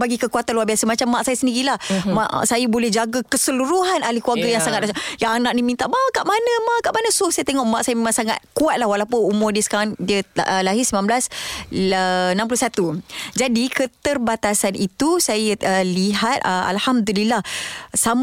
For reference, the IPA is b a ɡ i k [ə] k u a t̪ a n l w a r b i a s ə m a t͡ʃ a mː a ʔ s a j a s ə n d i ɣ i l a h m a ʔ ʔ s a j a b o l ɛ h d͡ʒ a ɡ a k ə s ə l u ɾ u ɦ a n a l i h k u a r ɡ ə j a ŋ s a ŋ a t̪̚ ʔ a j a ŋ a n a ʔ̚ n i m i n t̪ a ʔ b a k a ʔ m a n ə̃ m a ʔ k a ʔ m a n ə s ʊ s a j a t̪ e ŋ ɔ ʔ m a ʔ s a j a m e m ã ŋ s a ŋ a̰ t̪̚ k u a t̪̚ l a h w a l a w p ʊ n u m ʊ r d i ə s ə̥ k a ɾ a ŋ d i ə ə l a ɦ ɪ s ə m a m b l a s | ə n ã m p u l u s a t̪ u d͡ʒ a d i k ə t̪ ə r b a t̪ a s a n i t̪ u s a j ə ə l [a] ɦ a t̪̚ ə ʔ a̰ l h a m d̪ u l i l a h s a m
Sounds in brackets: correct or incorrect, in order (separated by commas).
correct, incorrect